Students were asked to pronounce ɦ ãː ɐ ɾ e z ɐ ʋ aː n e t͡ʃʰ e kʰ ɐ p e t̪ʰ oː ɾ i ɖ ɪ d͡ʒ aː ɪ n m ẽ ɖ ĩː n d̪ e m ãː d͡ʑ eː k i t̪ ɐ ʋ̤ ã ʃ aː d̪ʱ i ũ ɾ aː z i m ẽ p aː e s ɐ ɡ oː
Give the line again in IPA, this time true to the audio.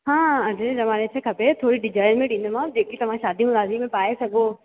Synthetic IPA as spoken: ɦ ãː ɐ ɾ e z ɐ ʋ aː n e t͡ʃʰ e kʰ ɐ p e t̪ʰ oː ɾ i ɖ ɪ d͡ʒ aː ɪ n m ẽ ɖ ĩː n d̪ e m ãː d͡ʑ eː k i t̪ ɐ ʋ̤ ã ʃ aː d̪ʱ i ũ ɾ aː z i m ẽ p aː e s ɐ ɡ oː